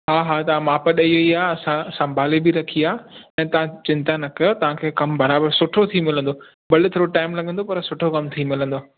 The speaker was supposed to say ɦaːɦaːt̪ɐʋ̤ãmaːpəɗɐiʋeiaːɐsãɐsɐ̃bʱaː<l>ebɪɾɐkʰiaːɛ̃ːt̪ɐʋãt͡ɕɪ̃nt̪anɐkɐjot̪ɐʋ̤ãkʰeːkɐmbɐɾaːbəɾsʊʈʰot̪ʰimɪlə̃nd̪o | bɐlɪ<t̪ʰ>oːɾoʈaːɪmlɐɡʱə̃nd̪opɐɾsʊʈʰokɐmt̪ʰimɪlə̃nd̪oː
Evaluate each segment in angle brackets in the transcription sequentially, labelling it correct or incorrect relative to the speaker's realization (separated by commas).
correct, correct